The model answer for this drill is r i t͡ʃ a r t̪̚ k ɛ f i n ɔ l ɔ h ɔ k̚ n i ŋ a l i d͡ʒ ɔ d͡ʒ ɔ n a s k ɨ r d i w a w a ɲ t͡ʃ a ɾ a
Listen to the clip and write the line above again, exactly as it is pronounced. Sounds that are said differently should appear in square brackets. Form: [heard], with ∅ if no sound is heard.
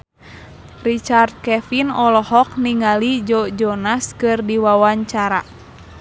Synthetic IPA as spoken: r i t͡ʃ a r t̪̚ k ɛ f i n ɔ l ɔ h ɔ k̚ n i ŋ a l i d͡ʒ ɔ d͡ʒ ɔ n a s k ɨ r d i w a w a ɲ t͡ʃ a ɾ a

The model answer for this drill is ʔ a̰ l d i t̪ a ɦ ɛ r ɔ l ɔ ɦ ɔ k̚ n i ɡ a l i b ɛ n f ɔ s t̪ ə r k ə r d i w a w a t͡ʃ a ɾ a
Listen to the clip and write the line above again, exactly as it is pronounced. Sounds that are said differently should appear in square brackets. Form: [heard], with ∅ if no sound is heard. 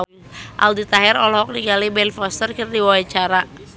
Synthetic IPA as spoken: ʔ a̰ l d i t̪ a ɦ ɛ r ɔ l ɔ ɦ ɔ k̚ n i ɡ a l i b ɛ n f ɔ s t̪ ə r k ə r d i w a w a t͡ʃ a ɾ a

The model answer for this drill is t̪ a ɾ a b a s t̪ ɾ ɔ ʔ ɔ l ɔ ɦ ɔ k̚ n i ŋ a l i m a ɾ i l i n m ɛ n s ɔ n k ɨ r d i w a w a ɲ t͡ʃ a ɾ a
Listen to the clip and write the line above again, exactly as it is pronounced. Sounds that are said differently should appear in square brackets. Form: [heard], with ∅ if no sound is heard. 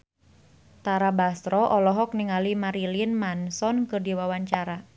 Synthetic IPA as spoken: t̪ a ɾ a b a s t̪ ɾ ɔ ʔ ɔ l ɔ ɦ ɔ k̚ n i ŋ a l i m a ɾ i l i n m [a] n s ɔ n k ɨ r d i w a w a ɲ t͡ʃ a ɾ a

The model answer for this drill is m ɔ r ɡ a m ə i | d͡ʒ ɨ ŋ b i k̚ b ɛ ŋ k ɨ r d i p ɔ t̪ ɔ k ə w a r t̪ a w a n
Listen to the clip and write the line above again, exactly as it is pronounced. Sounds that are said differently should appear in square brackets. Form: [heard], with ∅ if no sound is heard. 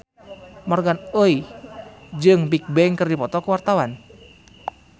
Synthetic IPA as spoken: m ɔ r ɡ a [n] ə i | d͡ʒ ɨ ŋ b i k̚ b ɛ ŋ k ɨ r d i p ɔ t̪ ɔ k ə w a r t̪ a w a n

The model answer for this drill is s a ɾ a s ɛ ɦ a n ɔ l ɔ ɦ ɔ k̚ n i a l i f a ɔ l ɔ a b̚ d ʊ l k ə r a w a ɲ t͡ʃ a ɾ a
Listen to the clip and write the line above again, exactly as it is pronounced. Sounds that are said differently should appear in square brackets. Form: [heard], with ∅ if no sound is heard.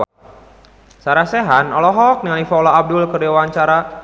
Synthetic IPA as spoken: s a ɾ a s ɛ ɦ a n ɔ l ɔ ɦ ɔ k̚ n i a l i f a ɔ l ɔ a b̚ d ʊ l k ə r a w a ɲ t͡ʃ a ɾ a

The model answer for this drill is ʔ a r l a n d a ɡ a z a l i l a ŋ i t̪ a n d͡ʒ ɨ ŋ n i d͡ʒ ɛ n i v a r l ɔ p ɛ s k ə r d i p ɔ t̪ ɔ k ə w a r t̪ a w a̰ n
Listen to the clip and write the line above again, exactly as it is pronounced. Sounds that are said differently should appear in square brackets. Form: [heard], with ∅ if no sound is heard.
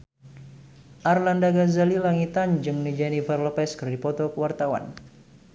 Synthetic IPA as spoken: ʔ a r l a n d a ɡ a z a l i l a ŋ i t̪ a n d͡ʒ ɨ ŋ n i d͡ʒ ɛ n i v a r l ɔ p ɛ s k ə r d i p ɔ t̪ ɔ k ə w a r t̪ a w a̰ n

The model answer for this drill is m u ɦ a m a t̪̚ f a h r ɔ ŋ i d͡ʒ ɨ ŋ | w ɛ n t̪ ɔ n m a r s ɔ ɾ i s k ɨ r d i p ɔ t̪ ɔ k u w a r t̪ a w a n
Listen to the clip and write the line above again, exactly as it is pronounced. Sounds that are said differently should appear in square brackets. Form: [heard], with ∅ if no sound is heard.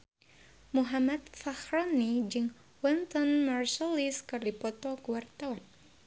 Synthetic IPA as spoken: m u ɦ a m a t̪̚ f a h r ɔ [n] i d͡ʒ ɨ ŋ | w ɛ n t̪ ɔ n m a r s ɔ [l] i s k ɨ r d i p ɔ t̪ ɔ k u w a r t̪ a w a n

